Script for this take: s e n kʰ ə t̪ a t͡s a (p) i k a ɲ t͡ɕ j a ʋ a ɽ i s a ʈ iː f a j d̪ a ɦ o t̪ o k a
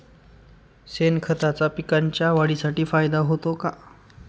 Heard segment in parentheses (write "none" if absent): p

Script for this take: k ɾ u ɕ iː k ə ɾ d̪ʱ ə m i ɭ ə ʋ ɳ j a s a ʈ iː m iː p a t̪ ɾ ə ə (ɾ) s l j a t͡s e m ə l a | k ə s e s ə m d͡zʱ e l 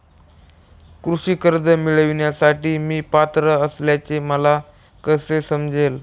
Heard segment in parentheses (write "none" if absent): none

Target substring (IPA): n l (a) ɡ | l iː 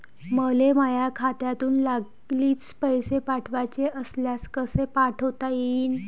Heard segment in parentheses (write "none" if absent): a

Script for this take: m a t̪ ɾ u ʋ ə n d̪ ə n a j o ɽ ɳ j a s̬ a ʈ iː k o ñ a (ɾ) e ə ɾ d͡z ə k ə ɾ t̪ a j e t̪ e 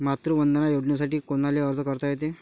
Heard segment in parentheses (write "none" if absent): l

